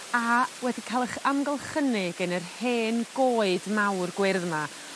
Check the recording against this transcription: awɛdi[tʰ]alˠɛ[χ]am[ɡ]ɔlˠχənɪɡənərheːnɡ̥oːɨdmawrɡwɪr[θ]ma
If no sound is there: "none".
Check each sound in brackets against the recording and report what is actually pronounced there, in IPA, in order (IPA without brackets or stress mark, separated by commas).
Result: kʰ, χ, ɡ, ð